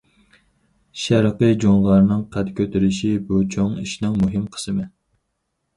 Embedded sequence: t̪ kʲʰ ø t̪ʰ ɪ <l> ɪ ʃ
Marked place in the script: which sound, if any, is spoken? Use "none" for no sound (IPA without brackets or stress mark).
ɾ